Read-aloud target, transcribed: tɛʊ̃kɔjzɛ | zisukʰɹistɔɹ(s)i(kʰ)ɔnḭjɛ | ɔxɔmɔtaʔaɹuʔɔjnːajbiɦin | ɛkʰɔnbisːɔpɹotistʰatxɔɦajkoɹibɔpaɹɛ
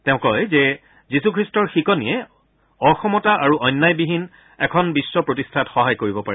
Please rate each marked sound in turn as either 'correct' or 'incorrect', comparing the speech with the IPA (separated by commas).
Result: incorrect, incorrect